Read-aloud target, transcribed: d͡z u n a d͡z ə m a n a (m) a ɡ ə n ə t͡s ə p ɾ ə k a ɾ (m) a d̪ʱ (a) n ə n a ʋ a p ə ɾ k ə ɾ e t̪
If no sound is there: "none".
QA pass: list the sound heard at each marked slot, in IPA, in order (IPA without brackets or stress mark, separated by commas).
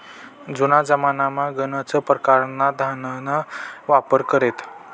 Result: m, n, a